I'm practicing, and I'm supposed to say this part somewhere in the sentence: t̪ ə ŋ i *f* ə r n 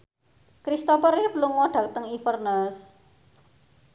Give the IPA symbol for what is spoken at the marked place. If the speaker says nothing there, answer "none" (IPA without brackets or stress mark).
f